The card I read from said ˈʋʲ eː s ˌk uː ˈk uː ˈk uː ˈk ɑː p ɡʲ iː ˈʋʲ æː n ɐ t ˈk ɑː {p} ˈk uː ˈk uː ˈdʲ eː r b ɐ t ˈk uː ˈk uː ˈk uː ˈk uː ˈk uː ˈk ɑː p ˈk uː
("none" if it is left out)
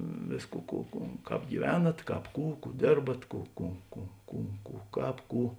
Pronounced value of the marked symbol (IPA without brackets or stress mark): p